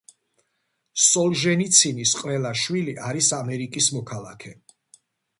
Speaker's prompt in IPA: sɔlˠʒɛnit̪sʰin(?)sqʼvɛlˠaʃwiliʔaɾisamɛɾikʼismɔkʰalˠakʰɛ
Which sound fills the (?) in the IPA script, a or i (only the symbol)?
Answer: i